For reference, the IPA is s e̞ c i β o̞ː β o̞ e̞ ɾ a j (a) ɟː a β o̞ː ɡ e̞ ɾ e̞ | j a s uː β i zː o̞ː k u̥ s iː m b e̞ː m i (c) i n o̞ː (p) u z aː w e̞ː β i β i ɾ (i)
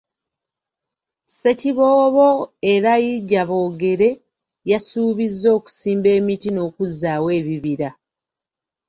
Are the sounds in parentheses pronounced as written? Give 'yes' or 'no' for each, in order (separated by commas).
no, no, no, no